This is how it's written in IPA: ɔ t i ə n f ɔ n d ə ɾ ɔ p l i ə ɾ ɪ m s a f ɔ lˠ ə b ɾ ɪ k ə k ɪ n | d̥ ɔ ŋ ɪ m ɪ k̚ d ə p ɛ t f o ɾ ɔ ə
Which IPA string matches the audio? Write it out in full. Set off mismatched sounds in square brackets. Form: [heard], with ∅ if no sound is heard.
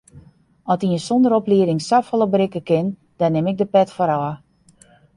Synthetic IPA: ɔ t i ə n [s] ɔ n d ə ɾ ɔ p l i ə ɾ ɪ [ŋ] s a f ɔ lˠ ə b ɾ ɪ k ə k ɪ n | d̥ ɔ [n] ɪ m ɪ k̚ d ə p ɛ t f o ɾ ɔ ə

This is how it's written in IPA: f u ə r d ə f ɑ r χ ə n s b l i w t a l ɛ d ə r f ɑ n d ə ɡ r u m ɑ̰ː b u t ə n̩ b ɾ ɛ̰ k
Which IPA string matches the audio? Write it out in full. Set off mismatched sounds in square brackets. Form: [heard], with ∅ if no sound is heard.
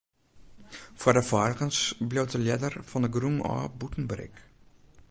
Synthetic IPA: f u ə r d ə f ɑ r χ ə n s b l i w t [ə] l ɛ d ə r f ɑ n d ə ɡ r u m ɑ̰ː b u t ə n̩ b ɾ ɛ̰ k

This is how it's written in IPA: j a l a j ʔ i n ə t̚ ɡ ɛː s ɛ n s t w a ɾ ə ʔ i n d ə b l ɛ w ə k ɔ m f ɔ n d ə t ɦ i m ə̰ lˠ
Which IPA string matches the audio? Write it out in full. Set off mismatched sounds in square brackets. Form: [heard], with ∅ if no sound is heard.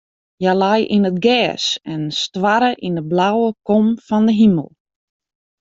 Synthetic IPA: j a l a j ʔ i n ə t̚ ɡ ɛː s ɛ n s t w a ɾ ə ʔ i n d ə b l [a] w ə k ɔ m f ɔ n d ə [∅] ɦ i m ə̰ lˠ

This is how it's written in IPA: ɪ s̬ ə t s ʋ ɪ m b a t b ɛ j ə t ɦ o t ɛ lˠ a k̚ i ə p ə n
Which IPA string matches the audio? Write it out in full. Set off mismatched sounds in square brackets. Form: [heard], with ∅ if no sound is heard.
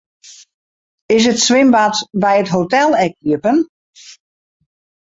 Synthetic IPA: ɪ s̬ ə t s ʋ ɪ m b a t b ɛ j ə t ɦ o t ɛ lˠ [ɛ] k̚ i ə p ə n

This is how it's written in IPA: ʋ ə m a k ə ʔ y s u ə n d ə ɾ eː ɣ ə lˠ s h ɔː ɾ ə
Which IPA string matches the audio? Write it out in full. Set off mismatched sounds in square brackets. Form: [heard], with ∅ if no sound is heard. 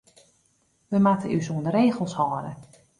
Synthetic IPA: ʋ ə m a [t] ə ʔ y s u ə n d ə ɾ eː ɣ ə lˠ s h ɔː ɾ ə

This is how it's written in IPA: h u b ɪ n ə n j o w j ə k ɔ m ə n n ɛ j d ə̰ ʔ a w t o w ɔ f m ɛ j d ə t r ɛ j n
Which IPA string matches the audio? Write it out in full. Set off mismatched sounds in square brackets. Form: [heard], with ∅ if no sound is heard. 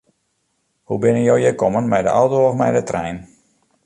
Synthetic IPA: h u b ɪ n ə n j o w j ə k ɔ m ə n [m] ɛ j d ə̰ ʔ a w t o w ɔ f m ɛ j d ə t r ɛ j n

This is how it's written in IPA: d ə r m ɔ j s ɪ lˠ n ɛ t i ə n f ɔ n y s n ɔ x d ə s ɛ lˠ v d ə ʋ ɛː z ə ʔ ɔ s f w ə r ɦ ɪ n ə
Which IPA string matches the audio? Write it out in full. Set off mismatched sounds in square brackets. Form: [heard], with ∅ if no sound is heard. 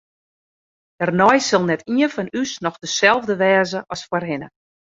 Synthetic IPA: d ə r [n] ɔ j s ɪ lˠ n ɛ t i ə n f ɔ n y s n ɔ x d ə s ɛ lˠ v d ə ʋ ɛː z ə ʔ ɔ s f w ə r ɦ ɪ n ə

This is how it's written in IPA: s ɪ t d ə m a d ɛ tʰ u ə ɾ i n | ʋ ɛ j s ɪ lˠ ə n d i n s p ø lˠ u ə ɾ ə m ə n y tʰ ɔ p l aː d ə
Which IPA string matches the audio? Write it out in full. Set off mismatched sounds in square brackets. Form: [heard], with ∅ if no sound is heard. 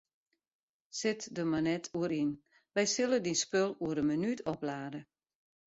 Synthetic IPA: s ɪ t d ə m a [n] ɛ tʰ u ə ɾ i n | ʋ ɛ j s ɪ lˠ ə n d i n s p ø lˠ u ə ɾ ə m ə n y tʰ ɔ p l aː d ə

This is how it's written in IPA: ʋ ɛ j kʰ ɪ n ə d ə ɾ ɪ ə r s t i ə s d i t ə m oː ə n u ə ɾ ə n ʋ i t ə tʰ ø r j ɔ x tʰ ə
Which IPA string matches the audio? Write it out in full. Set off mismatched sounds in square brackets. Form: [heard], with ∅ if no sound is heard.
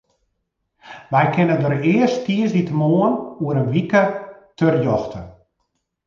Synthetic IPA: ʋ ɛ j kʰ ɪ n ə d ə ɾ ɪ ə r s t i ə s d i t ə m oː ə n u ə ɾ ə n ʋ i [k] ə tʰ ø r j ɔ x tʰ ə

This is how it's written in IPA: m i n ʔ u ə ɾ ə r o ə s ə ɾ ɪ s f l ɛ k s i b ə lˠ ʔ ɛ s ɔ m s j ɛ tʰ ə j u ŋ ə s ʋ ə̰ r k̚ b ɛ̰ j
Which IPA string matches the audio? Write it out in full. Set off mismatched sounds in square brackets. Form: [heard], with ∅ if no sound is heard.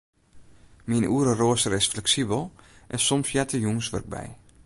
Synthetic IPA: m i n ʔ u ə ɾ ə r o ə s ə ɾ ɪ s f l ɛ k s i b ə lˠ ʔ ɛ s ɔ m s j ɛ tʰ ə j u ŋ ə s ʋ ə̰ r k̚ b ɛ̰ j

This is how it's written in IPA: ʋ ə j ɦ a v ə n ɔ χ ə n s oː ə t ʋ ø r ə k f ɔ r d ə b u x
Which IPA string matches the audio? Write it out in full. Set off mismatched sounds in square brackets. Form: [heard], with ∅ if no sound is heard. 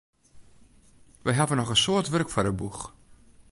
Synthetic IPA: ʋ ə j ɦ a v ə n ɔ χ ə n s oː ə t ʋ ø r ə k f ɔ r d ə b u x

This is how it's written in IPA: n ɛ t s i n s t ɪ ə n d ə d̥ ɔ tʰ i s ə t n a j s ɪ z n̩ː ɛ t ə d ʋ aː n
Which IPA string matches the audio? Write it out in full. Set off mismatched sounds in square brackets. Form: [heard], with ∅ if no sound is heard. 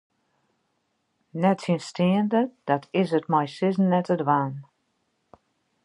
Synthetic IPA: n ɛ t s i n s t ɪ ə n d ə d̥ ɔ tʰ [ɪ] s ə t [m] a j s ɪ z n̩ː ɛ t ə d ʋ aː n

